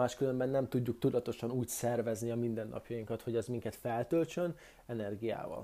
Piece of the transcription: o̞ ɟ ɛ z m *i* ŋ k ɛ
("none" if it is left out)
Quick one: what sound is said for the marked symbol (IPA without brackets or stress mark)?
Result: i